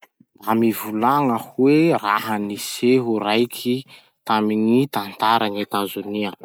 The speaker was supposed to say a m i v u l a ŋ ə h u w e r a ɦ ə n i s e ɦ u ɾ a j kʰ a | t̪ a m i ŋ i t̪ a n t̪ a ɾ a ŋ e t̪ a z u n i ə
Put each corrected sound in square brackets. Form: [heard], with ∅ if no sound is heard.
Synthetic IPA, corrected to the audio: a m i v u l a ŋ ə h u w e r a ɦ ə n i s e ɦ u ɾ a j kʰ [i] | t̪ a m i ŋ i t̪ a n t̪ a ɾ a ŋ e t̪ a z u n i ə